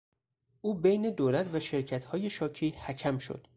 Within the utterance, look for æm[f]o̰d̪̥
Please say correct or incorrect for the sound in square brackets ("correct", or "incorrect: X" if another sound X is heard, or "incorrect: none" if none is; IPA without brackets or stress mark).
incorrect: ʃ